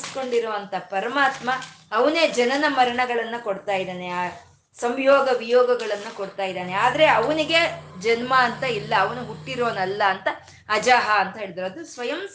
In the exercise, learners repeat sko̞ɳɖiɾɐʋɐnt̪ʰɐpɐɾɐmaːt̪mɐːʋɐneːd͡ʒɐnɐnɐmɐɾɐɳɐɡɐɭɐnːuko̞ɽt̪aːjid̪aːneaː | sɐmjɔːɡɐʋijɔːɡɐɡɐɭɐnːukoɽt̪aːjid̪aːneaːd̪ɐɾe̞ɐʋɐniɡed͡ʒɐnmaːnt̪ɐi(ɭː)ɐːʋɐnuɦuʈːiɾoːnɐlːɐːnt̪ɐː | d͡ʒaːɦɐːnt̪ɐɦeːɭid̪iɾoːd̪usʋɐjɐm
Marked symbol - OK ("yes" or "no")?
no